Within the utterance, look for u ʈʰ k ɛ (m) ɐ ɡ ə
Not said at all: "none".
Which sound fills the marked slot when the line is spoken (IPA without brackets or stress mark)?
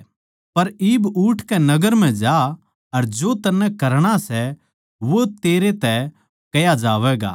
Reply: n